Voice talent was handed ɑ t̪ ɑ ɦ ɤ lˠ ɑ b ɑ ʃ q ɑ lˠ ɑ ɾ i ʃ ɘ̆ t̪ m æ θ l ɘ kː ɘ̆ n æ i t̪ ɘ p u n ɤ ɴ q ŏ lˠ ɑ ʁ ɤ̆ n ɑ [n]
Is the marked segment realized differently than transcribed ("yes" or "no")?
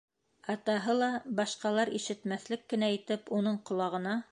yes